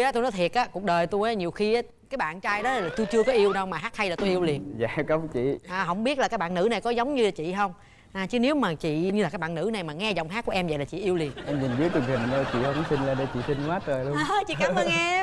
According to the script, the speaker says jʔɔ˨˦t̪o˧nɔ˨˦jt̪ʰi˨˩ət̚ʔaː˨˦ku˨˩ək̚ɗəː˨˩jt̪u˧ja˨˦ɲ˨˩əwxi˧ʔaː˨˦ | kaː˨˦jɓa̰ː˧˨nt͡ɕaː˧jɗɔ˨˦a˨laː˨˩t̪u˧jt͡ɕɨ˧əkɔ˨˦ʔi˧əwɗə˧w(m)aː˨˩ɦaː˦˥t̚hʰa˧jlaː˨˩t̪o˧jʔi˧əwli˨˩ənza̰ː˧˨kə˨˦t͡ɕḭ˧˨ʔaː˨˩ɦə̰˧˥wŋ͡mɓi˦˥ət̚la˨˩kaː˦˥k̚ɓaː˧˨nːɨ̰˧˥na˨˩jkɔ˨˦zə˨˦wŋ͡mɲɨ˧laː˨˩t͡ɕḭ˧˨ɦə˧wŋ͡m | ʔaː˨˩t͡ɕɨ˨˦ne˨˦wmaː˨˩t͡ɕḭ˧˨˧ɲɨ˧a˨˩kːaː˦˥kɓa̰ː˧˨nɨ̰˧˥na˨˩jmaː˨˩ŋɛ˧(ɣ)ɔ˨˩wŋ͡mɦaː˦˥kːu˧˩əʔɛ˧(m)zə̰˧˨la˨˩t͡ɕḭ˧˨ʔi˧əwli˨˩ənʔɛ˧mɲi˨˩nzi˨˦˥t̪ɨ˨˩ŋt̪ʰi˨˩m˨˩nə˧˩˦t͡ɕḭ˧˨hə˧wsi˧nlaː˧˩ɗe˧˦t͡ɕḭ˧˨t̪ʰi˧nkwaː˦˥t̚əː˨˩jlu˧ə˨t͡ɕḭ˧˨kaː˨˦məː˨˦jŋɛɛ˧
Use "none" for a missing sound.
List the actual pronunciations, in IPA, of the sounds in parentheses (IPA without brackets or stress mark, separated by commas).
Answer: m, z, m